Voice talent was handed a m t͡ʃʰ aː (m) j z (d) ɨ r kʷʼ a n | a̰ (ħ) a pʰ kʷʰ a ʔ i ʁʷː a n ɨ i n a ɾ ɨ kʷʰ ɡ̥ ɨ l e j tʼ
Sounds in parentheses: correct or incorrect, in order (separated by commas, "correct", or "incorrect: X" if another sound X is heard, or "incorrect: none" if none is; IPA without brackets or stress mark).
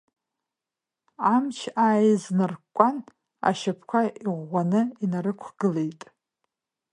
incorrect: none, incorrect: n, incorrect: ʃ